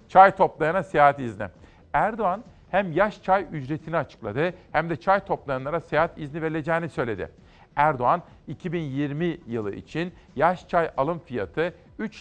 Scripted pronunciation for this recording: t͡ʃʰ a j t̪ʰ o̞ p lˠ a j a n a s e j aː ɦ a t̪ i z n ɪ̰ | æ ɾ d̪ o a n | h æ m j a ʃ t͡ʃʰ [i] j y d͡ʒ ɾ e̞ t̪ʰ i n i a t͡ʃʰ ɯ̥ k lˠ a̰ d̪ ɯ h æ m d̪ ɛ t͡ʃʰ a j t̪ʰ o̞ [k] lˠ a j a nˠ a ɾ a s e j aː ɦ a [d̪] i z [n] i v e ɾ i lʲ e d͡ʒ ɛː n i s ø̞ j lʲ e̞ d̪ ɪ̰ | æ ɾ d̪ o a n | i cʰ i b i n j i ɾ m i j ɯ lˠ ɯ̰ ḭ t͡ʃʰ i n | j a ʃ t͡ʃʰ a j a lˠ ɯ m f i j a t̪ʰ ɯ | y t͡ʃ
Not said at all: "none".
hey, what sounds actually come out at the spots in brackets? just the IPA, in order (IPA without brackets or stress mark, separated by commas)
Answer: a, p, t̪, n